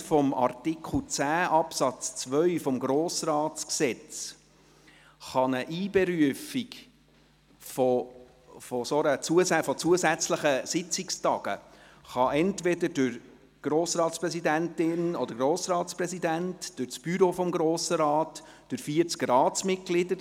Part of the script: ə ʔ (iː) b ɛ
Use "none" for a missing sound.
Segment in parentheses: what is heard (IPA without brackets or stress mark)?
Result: iː